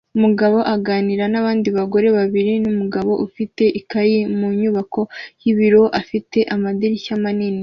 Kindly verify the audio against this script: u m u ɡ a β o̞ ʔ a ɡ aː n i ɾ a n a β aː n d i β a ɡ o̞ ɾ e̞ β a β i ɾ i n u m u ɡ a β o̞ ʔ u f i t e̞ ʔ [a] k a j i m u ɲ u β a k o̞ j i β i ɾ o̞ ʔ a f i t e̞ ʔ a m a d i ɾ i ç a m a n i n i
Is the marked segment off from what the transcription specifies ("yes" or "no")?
yes